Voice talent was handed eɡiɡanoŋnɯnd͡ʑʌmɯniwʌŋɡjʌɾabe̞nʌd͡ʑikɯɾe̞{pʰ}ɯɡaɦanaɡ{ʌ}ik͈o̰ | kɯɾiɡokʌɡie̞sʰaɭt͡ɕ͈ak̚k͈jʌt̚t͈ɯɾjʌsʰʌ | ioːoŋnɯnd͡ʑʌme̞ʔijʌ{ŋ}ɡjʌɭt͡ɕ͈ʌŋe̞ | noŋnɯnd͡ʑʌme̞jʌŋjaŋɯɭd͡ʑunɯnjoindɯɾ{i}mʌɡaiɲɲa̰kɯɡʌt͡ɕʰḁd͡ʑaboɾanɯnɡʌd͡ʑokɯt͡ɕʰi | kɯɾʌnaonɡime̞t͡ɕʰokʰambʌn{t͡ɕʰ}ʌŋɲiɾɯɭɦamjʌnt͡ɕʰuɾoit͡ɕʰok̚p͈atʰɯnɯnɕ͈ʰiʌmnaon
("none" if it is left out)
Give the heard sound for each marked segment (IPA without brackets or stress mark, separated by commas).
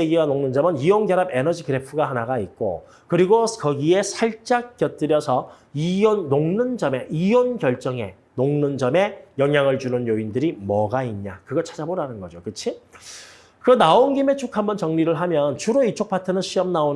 pʰ, a, n, i, t͡ɕ